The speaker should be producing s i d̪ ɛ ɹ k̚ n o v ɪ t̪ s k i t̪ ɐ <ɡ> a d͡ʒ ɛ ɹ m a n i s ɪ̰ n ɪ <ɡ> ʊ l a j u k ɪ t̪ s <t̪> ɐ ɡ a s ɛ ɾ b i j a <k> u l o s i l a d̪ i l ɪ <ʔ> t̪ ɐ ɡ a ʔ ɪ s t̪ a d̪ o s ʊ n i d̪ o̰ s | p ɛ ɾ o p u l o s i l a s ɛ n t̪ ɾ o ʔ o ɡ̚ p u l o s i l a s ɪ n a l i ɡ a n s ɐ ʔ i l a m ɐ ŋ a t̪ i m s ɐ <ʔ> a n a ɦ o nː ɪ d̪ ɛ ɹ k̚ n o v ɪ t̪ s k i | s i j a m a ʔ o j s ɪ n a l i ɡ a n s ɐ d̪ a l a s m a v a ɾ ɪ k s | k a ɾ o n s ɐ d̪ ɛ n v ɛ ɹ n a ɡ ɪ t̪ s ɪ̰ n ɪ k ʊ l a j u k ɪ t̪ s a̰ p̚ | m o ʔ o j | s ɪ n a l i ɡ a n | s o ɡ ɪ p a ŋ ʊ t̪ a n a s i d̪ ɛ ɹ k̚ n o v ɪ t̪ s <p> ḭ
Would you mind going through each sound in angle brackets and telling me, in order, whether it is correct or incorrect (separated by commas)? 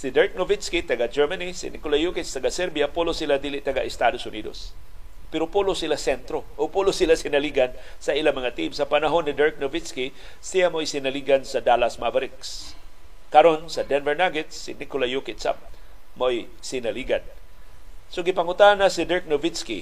correct, incorrect, correct, incorrect, correct, incorrect, incorrect